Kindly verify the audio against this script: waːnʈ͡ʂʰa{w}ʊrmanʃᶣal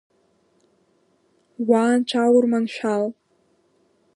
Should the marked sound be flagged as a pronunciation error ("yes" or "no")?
no